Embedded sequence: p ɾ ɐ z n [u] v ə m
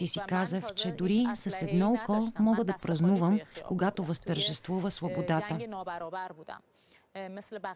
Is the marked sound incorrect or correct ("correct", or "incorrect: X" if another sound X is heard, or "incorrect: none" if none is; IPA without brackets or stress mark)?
correct